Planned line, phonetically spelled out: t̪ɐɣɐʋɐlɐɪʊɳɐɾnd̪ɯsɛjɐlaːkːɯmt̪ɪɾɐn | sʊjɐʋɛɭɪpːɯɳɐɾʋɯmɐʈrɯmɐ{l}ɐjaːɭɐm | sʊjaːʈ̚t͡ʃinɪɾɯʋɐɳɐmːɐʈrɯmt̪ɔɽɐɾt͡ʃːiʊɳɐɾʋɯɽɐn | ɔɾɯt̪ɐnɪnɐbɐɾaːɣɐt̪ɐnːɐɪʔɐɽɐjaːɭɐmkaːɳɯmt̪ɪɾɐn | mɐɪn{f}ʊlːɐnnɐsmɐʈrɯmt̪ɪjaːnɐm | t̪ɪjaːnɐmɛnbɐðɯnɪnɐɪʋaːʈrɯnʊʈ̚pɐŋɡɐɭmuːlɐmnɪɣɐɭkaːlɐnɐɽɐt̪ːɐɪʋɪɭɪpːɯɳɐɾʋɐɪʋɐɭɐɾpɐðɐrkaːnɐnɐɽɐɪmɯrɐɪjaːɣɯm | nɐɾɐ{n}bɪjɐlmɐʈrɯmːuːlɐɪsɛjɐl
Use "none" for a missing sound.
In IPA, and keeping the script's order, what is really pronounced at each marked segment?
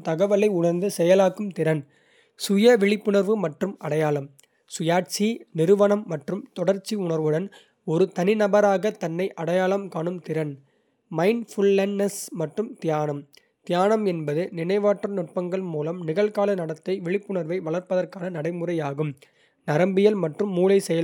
ɽ, f, m

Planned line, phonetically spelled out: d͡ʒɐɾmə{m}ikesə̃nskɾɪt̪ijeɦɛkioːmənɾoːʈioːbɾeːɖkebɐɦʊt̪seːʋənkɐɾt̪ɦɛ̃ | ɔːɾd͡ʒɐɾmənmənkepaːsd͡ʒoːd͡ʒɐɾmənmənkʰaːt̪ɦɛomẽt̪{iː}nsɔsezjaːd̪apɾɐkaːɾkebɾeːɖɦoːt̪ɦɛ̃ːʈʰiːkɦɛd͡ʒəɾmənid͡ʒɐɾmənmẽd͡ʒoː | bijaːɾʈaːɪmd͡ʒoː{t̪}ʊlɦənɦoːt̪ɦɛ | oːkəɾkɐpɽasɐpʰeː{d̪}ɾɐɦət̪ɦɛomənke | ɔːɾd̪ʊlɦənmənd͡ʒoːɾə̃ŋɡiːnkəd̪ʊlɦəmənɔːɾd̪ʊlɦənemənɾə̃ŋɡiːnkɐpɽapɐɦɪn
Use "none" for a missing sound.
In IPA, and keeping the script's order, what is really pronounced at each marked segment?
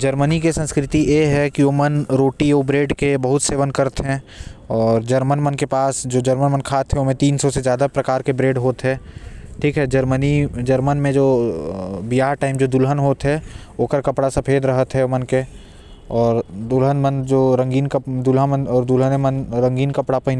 n, iː, d̪, d̪

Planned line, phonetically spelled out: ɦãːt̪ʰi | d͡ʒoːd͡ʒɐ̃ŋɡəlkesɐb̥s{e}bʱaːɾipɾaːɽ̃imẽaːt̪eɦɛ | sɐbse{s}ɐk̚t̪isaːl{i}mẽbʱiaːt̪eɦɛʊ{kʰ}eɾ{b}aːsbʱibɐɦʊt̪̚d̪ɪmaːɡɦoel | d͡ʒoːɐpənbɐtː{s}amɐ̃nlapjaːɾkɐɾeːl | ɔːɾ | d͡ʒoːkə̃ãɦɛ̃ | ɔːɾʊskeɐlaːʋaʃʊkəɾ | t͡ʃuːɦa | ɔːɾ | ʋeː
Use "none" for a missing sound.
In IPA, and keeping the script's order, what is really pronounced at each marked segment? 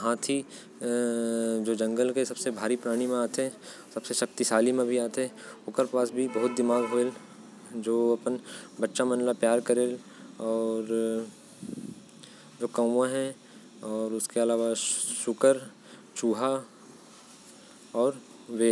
e, ʃ, i, k, p, ʃ

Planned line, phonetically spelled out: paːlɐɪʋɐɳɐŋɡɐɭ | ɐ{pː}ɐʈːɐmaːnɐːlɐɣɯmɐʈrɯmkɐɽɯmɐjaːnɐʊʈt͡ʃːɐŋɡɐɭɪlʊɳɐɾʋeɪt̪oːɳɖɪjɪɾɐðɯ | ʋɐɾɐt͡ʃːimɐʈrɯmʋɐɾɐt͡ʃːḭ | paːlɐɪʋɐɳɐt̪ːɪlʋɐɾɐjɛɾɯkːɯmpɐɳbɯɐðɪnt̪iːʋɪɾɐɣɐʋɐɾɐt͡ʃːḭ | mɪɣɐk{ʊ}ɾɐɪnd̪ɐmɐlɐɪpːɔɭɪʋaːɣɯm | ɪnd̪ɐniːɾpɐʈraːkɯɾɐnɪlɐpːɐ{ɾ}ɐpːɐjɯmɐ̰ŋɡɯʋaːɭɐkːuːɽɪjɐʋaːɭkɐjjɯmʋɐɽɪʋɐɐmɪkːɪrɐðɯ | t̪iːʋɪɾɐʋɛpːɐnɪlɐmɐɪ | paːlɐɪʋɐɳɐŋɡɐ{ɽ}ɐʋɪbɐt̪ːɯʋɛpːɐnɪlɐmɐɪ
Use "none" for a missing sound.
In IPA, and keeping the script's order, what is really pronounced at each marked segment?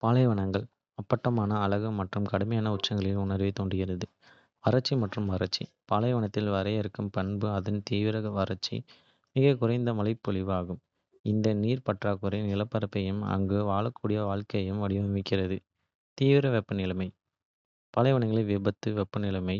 pː, ʊ, ɾ, ɭ

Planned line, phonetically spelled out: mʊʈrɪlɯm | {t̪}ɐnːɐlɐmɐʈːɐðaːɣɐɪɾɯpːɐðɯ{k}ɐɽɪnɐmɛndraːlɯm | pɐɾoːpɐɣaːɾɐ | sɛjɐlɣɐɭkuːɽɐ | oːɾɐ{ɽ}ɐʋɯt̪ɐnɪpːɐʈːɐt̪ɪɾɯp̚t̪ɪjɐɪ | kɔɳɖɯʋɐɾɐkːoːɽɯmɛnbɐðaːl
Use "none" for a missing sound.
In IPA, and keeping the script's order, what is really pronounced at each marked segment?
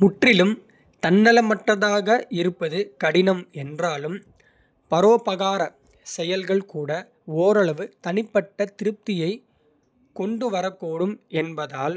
t̪, k, ɭ

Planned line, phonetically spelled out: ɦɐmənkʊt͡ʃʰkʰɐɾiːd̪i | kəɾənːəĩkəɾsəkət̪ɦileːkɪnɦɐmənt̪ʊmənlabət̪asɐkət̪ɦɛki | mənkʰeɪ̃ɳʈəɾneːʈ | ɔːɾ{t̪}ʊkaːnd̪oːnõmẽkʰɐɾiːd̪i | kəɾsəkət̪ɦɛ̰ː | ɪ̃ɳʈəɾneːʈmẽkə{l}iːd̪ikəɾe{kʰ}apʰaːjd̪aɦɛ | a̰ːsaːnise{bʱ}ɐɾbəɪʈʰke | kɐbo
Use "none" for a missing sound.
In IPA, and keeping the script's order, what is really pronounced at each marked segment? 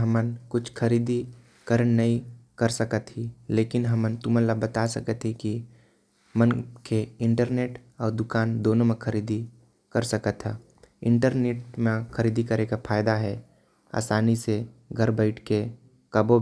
d̪, ɾ, k, ɡʱ

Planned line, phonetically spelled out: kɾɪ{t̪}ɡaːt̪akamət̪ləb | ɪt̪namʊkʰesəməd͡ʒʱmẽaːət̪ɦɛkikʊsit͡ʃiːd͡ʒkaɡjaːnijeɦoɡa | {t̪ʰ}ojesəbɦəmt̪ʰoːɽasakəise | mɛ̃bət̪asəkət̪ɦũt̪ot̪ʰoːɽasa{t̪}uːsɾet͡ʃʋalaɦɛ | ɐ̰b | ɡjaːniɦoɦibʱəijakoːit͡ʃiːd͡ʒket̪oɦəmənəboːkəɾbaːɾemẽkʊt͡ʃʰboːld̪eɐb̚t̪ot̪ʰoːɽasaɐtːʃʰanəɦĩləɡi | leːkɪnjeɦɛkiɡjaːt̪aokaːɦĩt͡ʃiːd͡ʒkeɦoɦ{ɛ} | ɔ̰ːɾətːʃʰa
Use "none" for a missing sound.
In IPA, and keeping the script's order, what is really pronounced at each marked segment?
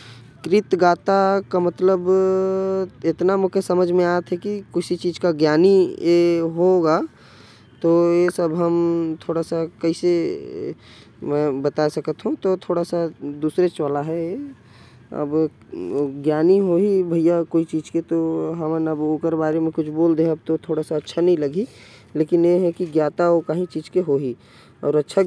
t̪, t̪, d̪, i

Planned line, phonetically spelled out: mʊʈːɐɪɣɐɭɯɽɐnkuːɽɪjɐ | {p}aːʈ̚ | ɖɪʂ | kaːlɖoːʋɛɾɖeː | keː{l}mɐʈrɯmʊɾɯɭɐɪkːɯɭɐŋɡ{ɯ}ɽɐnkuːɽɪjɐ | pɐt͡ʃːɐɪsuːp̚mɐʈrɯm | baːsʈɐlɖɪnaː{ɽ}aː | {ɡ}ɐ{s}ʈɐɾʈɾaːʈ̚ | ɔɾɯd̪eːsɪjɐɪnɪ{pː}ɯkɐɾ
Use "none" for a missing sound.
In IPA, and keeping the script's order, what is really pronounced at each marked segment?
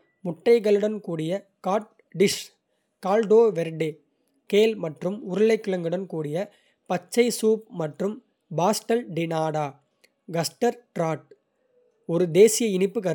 k, l, ɯ, ɽ, ɡ, s, pː

